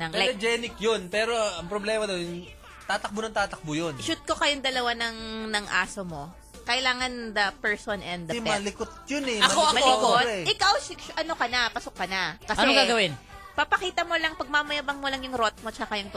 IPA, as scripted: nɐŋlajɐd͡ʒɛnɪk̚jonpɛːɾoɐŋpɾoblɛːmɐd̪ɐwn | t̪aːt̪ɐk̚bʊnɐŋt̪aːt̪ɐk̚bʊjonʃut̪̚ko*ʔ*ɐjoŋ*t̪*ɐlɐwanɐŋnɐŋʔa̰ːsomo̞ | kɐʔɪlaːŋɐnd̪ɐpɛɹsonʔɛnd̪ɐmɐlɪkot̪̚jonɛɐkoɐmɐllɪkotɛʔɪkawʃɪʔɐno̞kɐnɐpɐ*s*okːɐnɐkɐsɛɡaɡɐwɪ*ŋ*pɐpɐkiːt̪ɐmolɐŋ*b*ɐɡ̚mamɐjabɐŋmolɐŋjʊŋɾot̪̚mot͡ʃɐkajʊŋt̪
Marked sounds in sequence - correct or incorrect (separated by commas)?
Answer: incorrect, incorrect, correct, incorrect, incorrect